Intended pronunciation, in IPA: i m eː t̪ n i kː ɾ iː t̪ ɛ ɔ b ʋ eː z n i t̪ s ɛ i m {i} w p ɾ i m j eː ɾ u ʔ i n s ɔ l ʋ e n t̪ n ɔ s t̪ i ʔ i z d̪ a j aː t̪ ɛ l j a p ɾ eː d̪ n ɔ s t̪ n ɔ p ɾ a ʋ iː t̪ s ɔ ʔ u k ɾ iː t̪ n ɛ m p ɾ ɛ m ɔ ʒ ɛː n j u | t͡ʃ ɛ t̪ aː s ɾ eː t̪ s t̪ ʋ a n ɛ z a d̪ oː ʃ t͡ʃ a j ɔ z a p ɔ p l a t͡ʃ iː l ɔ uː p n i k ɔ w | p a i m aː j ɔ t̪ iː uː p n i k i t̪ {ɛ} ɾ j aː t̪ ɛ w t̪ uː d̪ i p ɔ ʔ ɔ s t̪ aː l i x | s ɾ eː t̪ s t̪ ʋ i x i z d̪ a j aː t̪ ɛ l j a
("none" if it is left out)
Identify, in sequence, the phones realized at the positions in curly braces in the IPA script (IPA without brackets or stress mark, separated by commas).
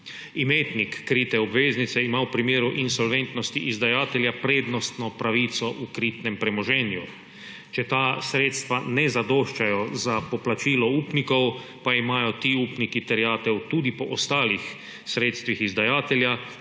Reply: a, ɛ